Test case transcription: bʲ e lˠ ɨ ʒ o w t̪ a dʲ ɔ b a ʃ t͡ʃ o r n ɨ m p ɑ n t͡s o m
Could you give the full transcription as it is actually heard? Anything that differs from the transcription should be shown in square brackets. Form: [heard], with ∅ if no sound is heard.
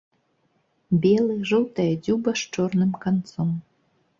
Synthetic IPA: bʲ e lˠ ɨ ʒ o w t̪ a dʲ [u] b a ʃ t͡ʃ o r n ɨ m [k] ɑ n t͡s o m